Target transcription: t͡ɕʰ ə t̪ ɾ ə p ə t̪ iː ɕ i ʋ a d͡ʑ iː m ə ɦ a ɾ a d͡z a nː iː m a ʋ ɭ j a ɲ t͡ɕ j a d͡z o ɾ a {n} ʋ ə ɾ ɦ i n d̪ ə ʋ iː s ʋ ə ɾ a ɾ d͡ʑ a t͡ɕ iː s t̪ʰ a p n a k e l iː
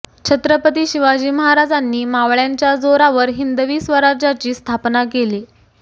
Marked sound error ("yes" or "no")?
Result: yes